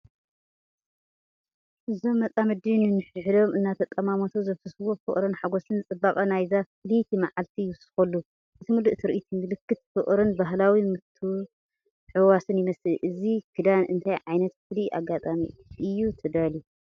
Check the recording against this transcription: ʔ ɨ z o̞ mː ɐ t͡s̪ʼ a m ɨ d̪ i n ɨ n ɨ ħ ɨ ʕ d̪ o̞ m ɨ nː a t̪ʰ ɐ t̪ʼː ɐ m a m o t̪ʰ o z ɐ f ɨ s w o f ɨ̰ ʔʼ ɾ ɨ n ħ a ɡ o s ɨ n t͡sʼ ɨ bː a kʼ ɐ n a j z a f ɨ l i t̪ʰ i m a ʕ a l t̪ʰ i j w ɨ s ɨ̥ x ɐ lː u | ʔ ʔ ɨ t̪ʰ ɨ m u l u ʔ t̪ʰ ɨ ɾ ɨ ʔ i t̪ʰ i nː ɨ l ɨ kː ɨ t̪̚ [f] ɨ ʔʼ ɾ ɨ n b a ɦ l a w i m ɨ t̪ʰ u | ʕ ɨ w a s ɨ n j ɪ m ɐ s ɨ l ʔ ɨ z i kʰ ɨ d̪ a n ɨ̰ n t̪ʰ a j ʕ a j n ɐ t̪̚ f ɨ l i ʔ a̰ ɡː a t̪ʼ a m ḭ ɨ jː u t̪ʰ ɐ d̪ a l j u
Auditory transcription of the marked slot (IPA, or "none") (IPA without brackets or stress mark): f